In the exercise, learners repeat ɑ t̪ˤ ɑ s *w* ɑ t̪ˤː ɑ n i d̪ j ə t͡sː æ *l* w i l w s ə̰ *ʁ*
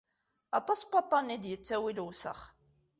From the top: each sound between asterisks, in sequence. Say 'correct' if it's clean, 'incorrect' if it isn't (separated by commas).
incorrect, incorrect, incorrect